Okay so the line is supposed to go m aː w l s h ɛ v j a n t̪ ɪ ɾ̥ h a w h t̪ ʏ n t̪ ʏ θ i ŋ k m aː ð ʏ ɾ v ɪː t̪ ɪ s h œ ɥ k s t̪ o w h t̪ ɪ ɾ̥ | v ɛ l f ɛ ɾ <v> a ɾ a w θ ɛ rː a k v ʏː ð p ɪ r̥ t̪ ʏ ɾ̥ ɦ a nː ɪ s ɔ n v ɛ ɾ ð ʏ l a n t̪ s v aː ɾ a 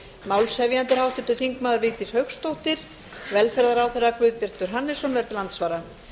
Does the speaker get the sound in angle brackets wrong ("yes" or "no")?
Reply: yes